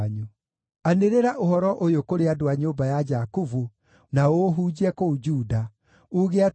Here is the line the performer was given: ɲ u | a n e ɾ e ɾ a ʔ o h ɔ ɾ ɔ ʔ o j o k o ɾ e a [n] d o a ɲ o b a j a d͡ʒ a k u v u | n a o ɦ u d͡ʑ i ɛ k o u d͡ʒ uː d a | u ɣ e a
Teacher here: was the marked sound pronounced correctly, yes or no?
no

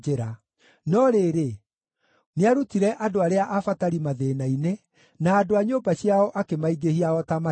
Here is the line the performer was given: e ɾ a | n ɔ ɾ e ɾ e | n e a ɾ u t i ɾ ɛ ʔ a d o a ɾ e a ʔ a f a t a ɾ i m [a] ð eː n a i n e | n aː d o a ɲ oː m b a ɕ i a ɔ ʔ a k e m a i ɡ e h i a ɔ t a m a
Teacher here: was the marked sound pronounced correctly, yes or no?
yes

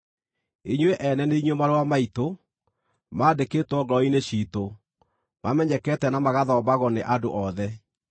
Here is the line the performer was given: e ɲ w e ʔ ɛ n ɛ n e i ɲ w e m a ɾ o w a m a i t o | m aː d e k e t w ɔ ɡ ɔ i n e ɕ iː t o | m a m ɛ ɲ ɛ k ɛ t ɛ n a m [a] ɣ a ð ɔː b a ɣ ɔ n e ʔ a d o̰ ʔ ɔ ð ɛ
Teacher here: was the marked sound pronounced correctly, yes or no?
yes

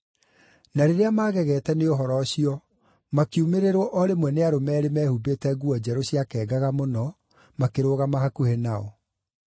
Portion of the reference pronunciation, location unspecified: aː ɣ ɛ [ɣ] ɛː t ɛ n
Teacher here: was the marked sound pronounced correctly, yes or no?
yes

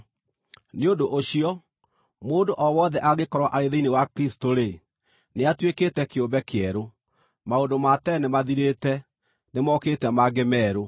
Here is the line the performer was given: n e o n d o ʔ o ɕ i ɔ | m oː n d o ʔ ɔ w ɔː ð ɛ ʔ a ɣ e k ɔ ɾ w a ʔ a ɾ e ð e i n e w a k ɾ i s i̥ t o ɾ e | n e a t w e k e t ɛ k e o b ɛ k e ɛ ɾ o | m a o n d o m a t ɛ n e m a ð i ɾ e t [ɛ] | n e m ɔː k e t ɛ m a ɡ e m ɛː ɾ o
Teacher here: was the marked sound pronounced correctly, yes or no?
yes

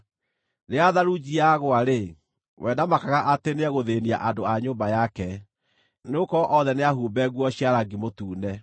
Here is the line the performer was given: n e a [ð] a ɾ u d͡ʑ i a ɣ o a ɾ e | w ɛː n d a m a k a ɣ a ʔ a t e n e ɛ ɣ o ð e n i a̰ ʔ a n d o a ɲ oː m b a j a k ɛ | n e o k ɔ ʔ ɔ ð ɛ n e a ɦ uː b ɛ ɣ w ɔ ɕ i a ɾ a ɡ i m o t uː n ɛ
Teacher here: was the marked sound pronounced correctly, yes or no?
yes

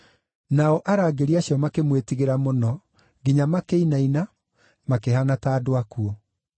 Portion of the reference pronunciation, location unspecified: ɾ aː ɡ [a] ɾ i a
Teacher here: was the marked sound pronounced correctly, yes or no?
no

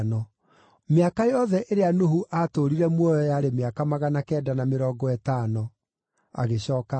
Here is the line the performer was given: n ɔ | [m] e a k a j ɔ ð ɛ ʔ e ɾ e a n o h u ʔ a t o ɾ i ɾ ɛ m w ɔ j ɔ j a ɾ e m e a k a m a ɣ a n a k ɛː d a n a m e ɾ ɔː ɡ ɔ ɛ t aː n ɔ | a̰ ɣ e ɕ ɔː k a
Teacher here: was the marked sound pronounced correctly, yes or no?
yes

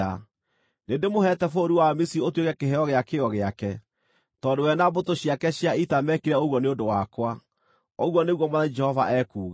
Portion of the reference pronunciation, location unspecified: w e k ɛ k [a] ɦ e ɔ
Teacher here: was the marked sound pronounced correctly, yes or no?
no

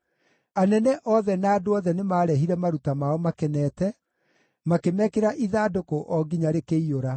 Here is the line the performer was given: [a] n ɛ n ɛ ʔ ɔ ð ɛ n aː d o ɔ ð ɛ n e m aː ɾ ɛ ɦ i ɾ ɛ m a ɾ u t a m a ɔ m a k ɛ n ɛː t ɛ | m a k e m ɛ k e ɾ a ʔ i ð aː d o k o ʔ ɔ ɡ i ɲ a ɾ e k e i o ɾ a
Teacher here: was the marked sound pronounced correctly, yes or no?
yes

